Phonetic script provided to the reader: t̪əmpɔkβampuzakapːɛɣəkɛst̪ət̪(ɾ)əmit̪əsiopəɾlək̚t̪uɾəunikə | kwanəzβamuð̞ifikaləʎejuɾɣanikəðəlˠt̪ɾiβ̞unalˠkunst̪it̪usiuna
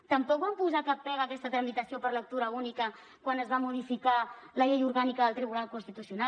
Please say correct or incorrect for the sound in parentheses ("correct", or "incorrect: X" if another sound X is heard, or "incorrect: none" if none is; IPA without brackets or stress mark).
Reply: correct